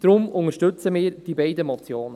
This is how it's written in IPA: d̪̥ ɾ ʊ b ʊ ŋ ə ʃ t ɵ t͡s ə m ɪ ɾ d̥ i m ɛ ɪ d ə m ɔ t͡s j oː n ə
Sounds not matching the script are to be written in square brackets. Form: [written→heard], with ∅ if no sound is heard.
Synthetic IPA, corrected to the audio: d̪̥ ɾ ʊ [b→m] ʊ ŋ ə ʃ t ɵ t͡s ə m [ɪ→ɪː] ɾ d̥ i [m→b] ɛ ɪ d ə m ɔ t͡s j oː n ə